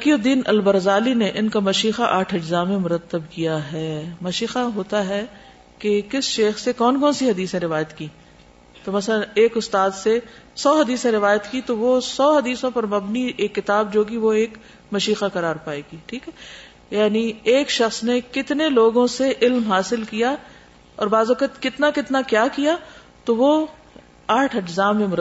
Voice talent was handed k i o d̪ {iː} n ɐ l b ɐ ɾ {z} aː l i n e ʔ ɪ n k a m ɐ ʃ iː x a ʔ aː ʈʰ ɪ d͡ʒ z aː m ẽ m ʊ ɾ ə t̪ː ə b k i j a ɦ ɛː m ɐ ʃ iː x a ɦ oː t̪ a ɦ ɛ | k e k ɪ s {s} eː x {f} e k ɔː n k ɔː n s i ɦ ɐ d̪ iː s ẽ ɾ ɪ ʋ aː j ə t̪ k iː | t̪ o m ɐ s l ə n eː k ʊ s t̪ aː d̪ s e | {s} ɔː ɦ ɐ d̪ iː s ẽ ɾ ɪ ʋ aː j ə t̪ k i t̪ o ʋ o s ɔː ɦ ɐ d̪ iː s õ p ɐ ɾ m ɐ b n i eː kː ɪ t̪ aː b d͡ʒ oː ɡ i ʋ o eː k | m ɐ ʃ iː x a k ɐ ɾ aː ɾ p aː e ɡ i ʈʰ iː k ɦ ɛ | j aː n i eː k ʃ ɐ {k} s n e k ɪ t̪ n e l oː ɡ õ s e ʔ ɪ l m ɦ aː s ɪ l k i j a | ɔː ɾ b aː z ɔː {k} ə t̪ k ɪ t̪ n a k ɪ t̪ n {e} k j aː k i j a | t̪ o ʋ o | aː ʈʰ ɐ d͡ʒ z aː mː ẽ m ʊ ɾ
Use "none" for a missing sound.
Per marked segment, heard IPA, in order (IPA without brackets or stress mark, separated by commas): iː, z, ʃ, s, s, x, k, a